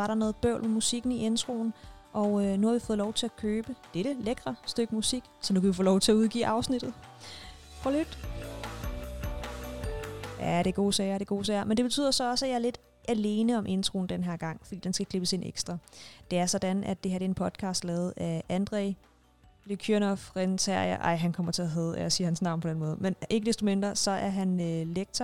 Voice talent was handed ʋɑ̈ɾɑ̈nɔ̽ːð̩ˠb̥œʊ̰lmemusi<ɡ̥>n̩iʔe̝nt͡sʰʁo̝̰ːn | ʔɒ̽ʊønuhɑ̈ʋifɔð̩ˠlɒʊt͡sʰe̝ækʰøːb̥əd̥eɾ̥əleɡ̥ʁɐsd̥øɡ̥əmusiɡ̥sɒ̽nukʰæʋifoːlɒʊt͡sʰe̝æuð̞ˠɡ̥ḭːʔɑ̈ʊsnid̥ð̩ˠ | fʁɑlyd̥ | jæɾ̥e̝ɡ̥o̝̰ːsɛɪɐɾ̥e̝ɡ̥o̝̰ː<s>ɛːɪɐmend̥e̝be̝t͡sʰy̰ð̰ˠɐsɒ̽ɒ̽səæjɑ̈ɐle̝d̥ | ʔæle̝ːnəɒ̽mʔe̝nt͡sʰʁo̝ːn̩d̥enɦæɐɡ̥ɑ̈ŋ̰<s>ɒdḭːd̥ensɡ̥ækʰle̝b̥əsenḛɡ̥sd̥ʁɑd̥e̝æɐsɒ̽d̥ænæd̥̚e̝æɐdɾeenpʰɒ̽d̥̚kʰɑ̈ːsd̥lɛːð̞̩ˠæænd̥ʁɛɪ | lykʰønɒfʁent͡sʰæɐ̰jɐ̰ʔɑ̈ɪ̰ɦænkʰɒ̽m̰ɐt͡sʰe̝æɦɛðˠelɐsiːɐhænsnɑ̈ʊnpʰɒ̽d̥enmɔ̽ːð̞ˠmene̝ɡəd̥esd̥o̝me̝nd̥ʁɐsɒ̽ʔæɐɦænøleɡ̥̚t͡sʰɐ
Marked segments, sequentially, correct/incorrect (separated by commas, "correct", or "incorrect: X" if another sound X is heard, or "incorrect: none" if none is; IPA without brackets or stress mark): correct, correct, incorrect: f